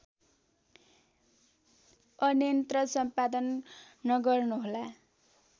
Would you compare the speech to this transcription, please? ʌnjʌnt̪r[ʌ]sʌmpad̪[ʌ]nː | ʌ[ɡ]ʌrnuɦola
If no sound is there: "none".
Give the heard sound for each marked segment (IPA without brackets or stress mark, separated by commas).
ʌ, ʌ, ɡ